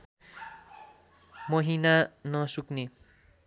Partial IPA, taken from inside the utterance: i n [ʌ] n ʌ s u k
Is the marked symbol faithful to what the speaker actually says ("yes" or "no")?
no